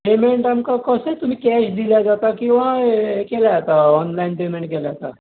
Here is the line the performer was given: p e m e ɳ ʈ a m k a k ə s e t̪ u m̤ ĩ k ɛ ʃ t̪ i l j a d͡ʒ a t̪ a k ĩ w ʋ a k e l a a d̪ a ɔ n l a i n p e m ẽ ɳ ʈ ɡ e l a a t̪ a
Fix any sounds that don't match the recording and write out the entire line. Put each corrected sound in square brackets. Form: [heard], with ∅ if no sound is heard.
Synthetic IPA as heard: p e m e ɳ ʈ a m k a k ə s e t̪ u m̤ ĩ k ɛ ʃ [d̪] i l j a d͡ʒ a t̪ a k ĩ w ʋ a k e l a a [t̪] a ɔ n l a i n p e m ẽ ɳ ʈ [k] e l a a t̪ a